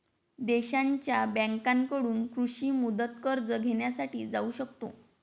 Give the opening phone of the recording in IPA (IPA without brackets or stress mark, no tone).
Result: d̪